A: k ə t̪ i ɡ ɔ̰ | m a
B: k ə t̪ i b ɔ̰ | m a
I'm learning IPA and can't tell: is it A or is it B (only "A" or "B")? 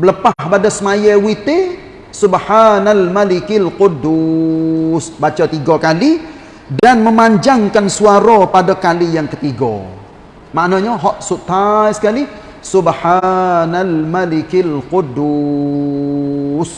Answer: A